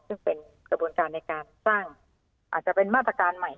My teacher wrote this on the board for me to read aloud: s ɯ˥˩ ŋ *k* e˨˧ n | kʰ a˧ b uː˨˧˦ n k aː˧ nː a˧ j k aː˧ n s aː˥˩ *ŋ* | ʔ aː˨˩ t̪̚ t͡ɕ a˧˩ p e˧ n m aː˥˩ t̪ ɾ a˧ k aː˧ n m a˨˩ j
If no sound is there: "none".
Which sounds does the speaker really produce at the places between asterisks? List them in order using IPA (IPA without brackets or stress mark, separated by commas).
p, ŋ